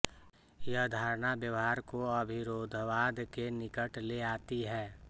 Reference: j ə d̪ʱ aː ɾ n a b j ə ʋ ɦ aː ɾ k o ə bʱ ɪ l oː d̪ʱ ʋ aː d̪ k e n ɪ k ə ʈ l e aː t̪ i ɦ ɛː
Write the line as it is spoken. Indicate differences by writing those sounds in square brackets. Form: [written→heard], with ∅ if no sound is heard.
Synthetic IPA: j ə d̪ʱ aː ɾ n a b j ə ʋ ɦ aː ɾ k o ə bʱ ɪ [l→ɾ] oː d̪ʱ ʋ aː d̪ k e n ɪ k ə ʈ l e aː t̪ i ɦ ɛː